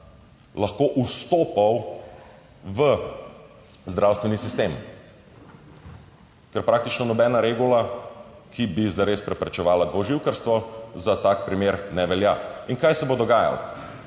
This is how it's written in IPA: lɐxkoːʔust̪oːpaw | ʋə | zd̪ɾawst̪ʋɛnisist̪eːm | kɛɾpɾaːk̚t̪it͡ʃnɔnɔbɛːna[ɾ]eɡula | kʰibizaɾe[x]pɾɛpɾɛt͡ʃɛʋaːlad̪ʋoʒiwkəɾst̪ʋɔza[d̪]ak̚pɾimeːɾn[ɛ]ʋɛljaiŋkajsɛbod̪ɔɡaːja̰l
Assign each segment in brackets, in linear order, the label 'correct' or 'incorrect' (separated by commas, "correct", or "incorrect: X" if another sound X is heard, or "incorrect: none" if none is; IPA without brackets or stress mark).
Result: correct, incorrect: s, incorrect: t̪, correct